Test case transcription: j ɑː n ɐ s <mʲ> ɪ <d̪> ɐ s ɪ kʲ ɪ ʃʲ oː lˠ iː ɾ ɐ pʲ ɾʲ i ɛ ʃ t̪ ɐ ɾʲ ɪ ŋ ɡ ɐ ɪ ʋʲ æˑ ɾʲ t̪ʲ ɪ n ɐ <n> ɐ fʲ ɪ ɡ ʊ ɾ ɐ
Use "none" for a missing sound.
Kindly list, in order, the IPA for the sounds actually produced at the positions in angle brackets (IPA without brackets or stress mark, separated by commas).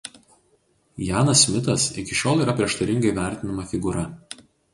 mʲ, t̪, m